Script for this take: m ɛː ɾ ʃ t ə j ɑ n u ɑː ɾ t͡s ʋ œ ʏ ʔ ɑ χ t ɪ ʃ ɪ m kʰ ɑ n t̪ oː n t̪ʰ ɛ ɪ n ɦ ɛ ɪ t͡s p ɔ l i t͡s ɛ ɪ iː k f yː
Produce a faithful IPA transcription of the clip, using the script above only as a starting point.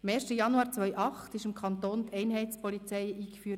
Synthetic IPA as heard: m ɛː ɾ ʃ t ə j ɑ n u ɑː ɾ t͡s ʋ œ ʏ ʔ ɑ χ t ɪ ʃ ɪ m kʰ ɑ n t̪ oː n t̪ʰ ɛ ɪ n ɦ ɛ ɪ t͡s p ɔ l i t͡s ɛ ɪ iː k f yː

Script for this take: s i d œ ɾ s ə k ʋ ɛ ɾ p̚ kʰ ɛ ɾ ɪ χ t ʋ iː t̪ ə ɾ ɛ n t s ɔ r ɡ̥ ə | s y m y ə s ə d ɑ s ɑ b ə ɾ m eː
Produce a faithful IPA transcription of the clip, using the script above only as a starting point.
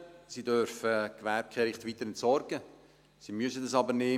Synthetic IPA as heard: s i d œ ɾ f ə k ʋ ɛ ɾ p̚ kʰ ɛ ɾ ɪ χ t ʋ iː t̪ ə ɾ ɛ n t s ɔ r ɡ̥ ə | s i m y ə s ə d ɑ s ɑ b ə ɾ n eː

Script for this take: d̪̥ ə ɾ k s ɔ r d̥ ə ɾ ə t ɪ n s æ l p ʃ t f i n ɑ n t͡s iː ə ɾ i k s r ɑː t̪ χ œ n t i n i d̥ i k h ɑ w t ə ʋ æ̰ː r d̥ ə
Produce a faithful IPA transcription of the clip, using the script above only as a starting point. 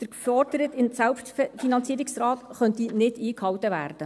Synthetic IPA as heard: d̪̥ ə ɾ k f ɔ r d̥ ə ɾ ə t ɪ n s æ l p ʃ t f i n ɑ n t͡s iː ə ɾ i k s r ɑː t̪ χ œ n t i n ɪ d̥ iː k h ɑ w t ə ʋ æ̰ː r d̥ ə

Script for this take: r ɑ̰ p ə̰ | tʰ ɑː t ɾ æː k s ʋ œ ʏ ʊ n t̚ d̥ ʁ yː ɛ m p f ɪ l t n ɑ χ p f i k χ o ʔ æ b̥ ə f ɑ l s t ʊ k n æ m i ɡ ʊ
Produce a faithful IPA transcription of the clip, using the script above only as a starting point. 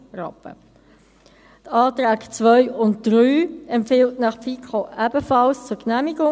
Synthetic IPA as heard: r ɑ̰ p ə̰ | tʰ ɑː t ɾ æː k t͡s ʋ œ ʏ ʊ n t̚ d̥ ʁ yː ɛ m p f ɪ l t n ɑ χ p f i k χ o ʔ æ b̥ ə f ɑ l s t͡s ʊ k n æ m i ɡ ʊ

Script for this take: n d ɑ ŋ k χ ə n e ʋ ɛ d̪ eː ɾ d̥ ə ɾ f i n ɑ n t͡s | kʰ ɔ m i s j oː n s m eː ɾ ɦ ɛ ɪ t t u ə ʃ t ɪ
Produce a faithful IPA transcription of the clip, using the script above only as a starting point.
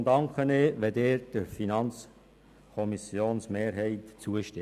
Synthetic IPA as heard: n d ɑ ŋ k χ ə n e ʋ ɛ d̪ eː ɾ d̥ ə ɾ f i n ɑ n t͡s | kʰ ɔ m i s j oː n s m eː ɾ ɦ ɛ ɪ t t͡s u ə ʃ t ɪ

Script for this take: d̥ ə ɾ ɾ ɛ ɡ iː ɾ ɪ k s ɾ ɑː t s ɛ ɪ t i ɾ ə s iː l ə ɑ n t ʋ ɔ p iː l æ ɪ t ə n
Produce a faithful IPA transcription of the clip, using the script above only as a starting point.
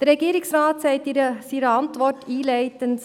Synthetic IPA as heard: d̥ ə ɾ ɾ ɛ ɡ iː ɾ ɪ k s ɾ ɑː t s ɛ ɪ t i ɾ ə s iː ɾ ə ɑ n t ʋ ɔ t iː l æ ɪ t ə n

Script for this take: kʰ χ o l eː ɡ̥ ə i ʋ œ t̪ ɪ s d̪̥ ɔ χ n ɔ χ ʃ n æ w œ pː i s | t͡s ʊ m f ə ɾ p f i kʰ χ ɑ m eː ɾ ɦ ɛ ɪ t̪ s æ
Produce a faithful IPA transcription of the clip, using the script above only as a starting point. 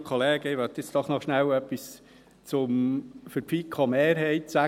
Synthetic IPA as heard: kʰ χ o l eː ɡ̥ ə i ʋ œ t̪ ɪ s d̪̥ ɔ χ n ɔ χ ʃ n æ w œ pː i s | t͡s ʊ m f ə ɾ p f i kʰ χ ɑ m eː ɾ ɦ ɛ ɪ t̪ s æ

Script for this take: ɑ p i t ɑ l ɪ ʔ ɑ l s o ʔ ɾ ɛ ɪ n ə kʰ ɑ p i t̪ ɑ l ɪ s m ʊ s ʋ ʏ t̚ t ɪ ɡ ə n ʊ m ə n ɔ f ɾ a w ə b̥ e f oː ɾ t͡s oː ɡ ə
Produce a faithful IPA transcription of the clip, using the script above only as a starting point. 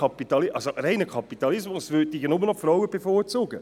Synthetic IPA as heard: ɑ p i t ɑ l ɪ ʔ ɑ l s o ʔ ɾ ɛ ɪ n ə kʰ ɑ p i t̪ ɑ l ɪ s m ʊ s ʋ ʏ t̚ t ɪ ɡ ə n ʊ m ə n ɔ f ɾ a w ə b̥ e f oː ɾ t͡s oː ɡ ə

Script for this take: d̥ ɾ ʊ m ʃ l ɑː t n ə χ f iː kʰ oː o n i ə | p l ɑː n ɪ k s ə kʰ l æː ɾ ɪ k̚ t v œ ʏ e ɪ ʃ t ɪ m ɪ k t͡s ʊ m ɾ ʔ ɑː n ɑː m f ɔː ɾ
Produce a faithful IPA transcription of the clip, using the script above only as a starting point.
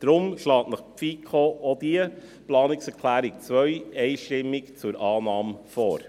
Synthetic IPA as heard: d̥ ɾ ʊ m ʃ l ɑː t n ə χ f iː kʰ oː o d i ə | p l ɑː n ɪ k s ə kʰ l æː ɾ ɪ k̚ t͡s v œ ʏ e ɪ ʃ t ɪ m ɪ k t͡s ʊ ɾ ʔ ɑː n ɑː m f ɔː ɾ

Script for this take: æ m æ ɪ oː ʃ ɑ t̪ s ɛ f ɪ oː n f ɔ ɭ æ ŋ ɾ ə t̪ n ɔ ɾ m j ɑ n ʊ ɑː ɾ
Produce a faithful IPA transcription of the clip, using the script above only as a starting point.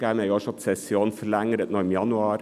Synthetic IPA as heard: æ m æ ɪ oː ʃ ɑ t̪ s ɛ s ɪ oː n f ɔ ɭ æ ŋ ɾ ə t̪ n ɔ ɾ m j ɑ n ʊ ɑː ɾ

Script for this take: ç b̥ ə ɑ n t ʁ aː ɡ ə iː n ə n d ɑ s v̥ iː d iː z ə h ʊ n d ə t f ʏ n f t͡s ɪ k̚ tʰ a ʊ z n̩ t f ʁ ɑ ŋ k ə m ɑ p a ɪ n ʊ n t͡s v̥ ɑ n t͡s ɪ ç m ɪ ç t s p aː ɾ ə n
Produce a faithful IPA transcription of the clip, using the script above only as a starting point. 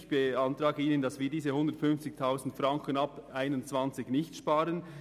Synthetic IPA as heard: ç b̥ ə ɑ n t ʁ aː ɡ ə iː n ə n d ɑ s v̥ iː d iː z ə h ʊ n d ə t f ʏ n f t͡s ɪ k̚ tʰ a ʊ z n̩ t f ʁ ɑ ŋ k ə n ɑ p a ɪ n ʊ n t͡s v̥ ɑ n t͡s ɪ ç n ɪ ç t ʃ p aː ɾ ə n

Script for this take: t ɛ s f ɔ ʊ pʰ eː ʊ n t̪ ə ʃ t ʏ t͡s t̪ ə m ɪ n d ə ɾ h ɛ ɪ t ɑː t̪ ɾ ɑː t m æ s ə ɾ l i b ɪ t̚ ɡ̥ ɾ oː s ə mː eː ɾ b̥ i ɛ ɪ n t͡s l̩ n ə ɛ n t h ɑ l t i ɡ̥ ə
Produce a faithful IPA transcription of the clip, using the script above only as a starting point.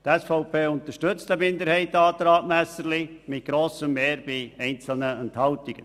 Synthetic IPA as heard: t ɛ s f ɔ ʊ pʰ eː ʊ n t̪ ə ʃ t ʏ t͡s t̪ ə m ɪ n d ə ɾ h ɛ ɪ t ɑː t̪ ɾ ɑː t m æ s ə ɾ l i m ɪ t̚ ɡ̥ ɾ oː s ə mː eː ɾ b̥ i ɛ ɪ n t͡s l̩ n ə ɛ n t h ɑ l t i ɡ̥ ə

